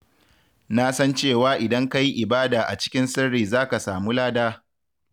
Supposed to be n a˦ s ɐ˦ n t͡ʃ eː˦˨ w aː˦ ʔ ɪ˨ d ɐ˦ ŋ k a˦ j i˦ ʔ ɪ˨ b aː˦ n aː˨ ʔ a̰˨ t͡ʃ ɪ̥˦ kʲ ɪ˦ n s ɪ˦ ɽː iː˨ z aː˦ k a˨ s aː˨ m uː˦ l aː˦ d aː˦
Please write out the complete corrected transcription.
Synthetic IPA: n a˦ s ɐ˦ n t͡ʃ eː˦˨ w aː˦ ʔ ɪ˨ d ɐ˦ ŋ k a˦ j i˦ ʔ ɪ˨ b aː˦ d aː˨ ʔ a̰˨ t͡ʃ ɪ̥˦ kʲ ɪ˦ n s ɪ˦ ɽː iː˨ z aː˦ k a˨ s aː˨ m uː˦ l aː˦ d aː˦